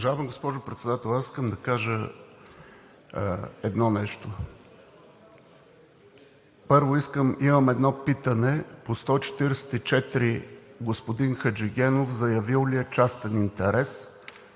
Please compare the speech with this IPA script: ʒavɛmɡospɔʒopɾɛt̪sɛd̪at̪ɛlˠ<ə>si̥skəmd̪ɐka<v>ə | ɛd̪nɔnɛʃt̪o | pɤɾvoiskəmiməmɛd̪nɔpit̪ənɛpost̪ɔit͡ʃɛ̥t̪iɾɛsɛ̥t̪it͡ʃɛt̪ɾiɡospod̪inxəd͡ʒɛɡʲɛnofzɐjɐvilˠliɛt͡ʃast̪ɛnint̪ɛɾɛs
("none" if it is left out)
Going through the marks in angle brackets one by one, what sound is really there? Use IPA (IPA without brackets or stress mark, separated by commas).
a, ʒ